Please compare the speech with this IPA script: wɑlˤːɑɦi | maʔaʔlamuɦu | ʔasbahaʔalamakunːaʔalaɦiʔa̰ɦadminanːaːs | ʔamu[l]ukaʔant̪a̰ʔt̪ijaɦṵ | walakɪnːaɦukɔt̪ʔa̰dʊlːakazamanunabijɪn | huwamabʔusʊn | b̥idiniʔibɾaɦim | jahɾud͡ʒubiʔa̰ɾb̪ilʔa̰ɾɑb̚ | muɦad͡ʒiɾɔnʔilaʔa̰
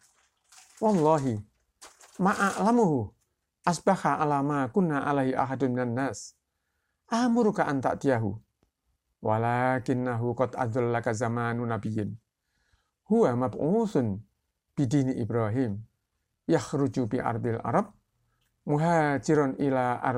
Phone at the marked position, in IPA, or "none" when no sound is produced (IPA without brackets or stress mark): ɾ